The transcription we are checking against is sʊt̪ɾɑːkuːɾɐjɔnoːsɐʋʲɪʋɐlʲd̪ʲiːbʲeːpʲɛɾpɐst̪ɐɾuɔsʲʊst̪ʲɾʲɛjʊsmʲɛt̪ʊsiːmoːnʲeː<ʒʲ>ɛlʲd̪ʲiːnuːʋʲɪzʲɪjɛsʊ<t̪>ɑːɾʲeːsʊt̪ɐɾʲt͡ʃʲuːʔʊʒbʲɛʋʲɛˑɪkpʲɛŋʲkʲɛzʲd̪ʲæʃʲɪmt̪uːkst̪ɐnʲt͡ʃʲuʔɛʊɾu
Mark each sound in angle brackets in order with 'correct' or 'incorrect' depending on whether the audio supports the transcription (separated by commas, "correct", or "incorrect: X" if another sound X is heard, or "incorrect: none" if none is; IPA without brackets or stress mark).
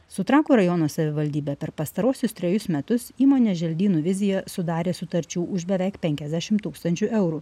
correct, incorrect: d̪